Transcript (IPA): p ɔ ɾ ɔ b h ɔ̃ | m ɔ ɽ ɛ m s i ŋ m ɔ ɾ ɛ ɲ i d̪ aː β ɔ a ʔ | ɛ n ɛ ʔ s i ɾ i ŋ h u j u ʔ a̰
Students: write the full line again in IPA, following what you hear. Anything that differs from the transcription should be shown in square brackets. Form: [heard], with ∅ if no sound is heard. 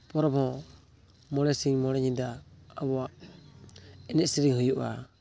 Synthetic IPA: p ɔ ɾ ɔ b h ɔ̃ | m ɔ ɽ ɛ [∅] s i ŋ m ɔ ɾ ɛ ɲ i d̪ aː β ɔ a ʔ | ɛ n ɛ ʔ s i ɾ i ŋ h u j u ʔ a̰